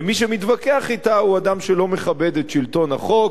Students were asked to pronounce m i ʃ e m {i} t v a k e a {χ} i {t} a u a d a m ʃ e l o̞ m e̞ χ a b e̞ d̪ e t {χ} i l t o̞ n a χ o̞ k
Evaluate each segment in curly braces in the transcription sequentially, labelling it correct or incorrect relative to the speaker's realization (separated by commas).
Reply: correct, correct, correct, incorrect